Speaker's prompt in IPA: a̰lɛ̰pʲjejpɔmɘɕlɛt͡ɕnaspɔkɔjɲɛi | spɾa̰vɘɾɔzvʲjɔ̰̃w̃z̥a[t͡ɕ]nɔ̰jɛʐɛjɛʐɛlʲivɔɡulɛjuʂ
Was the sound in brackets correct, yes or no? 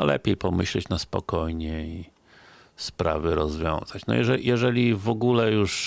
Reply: yes